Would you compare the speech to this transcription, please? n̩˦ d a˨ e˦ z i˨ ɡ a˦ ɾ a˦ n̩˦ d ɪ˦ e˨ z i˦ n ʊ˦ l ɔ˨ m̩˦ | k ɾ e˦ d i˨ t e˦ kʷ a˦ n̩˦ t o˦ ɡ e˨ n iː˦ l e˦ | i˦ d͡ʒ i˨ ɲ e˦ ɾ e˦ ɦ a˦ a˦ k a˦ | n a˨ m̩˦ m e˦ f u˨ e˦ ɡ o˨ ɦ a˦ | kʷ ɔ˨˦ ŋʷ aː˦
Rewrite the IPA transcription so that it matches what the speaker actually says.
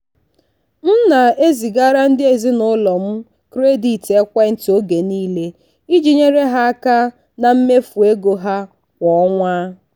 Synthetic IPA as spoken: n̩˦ n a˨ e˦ z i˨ ɡ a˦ ɾ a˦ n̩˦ d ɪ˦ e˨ z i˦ n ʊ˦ l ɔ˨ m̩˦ | k ɾ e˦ d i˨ t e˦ kʷ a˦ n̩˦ t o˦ ɡ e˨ n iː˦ l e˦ | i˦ d͡ʒ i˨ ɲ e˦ ɾ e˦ ɦ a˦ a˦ k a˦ | n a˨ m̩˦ m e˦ f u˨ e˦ ɡ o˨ ɦ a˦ | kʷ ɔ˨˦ ŋʷ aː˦